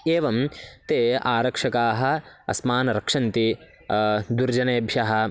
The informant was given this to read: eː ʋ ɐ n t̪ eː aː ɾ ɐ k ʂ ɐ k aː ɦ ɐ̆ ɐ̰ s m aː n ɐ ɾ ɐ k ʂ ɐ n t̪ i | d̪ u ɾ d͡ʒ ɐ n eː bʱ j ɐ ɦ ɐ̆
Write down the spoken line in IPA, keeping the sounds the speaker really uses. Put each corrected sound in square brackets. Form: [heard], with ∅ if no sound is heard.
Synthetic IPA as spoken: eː ʋ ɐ [m] t̪ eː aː ɾ ɐ k ʂ ɐ k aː ɦ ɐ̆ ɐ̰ s m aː n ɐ ɾ ɐ k ʂ ɐ n t̪ i | d̪ u ɾ d͡ʒ ɐ n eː bʱ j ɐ ɦ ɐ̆